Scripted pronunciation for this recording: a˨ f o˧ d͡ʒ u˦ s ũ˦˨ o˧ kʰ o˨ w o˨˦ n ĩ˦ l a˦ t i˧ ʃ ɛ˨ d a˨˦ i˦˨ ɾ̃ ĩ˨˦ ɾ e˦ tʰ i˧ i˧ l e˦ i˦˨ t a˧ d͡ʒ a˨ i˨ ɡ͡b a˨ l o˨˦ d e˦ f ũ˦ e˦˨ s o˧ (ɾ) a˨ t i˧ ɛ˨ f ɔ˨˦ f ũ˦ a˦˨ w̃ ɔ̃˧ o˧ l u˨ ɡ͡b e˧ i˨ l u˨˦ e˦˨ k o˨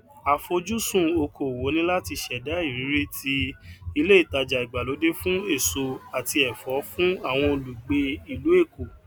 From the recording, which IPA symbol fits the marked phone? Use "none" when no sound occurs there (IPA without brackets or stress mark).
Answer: none